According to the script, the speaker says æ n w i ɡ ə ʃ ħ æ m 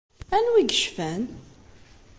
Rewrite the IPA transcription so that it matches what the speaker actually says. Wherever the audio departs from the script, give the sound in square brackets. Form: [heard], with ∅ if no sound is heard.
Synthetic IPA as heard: æ n w i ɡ ə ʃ [f] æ [n]